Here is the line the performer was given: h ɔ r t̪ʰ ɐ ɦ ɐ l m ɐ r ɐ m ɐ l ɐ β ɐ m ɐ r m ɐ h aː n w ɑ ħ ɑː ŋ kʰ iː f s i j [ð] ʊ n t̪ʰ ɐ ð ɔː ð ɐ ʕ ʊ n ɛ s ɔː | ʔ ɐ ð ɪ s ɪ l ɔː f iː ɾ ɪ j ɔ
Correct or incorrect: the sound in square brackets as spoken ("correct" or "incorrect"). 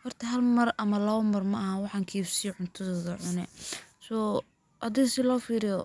incorrect